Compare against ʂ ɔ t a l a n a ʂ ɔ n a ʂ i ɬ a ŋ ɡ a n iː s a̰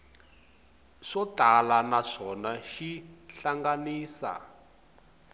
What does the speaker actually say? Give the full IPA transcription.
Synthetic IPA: ʂ ɔ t a l a n a ʂ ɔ n a ʃ i ɬ a ŋ ɡ a n iː s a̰